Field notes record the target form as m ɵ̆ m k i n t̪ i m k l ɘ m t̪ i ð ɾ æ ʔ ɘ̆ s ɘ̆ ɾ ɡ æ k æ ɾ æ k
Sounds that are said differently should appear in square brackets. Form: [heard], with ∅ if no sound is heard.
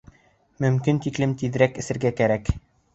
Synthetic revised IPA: m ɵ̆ m k i n t̪ i [∅] k l ɘ m t̪ i ð ɾ æ [k] ɘ̆ s ɘ̆ ɾ ɡ æ k æ ɾ æ k